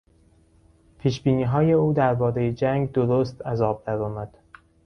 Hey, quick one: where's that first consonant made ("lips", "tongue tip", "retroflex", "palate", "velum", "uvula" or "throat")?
lips